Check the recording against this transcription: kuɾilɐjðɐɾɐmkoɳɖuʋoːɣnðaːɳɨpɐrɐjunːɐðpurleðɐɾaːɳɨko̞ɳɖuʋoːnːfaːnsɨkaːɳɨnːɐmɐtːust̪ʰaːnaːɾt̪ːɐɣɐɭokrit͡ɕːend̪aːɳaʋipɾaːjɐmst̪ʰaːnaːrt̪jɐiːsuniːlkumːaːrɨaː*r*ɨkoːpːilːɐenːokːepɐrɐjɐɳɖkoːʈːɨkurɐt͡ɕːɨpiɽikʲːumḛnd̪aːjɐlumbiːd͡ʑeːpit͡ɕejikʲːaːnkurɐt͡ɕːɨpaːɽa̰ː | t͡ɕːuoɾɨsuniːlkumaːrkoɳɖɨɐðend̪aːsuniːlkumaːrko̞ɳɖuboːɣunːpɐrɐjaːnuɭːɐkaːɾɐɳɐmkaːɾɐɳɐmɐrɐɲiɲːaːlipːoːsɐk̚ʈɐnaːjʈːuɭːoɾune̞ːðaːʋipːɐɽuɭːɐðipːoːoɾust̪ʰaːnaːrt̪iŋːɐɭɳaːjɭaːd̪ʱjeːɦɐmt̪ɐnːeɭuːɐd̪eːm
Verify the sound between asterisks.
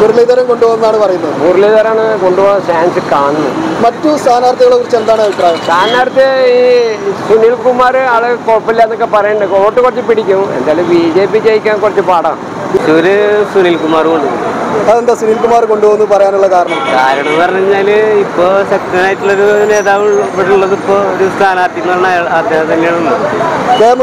incorrect: ɭ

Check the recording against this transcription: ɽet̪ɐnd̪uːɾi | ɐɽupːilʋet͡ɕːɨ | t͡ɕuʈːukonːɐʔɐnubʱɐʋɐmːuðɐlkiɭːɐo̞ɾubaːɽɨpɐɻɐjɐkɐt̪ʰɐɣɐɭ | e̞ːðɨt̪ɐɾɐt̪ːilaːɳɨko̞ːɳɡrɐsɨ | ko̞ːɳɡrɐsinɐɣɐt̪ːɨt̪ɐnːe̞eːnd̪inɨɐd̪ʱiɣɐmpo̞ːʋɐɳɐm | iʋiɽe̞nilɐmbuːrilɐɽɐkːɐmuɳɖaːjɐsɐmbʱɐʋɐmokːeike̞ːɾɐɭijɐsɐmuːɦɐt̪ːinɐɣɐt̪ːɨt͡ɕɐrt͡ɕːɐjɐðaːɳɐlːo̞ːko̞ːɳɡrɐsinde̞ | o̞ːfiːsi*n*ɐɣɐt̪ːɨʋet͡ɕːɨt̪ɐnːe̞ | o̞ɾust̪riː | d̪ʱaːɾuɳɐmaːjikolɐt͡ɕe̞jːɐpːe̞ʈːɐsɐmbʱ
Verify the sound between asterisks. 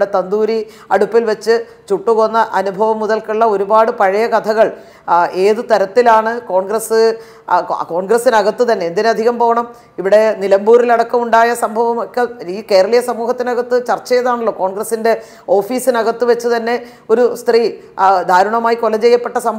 correct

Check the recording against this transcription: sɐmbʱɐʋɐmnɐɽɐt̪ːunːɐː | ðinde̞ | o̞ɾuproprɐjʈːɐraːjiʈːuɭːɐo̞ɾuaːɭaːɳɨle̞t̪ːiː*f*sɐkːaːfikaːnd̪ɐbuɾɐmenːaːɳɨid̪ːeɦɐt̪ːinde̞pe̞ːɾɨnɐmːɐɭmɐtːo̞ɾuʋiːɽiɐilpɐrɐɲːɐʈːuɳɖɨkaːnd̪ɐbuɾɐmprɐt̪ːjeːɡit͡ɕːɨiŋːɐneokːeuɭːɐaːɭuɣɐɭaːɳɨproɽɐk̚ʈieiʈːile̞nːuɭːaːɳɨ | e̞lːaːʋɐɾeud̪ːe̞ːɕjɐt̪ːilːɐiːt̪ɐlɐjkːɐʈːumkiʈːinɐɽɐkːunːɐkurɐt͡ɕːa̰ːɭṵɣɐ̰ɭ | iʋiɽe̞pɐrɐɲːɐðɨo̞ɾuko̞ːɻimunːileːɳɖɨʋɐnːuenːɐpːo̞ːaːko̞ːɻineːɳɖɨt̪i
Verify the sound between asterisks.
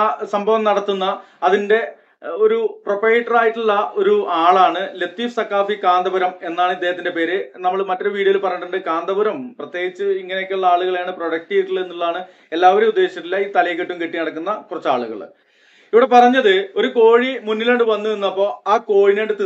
correct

